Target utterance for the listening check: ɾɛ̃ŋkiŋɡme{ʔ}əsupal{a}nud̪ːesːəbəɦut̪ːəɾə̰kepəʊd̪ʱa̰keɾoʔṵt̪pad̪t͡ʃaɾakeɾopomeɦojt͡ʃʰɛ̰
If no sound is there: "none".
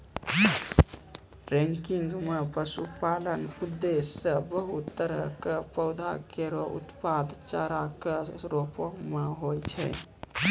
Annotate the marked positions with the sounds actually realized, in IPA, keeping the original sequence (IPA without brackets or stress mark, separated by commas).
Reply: p, ə